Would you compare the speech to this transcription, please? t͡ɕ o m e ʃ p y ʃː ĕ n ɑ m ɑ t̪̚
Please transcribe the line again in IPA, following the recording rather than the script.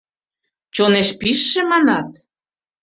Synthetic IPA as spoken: t͡ɕ o n e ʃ p i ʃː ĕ m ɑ n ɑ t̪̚

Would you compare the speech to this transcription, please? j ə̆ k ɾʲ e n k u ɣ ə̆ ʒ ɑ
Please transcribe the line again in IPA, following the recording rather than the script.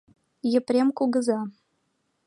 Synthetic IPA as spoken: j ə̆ p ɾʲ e m k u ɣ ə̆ z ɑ

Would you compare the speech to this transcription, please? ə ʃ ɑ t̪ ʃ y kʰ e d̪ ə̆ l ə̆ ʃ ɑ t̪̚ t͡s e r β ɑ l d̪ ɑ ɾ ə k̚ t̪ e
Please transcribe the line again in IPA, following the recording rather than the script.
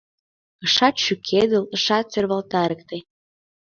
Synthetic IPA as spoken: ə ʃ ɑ t̪ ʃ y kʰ e d̪ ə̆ l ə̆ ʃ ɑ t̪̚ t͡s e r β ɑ l t̪ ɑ ɾ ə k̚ t̪ e

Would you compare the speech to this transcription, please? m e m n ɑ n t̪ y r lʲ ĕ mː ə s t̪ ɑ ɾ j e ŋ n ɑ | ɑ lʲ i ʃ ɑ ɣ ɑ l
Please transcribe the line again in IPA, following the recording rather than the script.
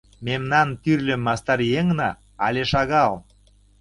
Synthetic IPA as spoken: m e m n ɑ n t̪ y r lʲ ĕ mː ɑ s t̪ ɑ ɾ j e ŋ n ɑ | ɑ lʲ e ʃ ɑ ɣ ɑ l

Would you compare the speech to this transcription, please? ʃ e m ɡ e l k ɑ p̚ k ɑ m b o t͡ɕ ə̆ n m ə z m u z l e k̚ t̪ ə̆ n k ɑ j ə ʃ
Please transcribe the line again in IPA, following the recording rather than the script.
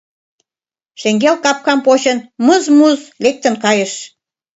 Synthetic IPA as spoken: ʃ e ŋ ɡ e l k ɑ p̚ k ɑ m p o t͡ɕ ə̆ n m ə z m u z l e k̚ t̪ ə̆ n k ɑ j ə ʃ

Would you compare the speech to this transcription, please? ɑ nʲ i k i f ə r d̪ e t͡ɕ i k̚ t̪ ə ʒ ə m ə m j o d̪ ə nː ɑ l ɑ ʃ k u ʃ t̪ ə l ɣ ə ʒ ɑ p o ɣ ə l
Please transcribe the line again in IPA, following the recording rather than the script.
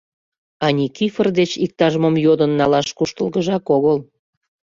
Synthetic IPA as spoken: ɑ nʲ i k i f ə r d̪ e t͡ɕ i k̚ t̪ ɑ ʒ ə m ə m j o d̪ ə nː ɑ l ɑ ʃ k u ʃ t̪ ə l ɣ ə ʒ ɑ k o ɣ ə l

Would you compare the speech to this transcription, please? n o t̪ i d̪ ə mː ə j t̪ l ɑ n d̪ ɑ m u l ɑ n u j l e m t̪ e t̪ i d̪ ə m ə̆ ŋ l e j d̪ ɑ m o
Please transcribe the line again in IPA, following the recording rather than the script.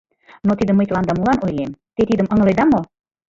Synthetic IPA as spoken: n o t̪ i d̪ ə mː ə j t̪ l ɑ n d̪ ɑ m u l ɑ n o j l e m t̪ e t̪ i d̪ ə m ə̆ ŋ l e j d̪ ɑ m o

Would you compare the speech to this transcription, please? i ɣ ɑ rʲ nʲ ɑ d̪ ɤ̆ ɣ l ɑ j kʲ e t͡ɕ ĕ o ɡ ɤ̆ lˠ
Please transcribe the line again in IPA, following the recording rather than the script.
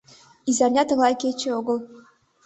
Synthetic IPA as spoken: i z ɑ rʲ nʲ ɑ t̪ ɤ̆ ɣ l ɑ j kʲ e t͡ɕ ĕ o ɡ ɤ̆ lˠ

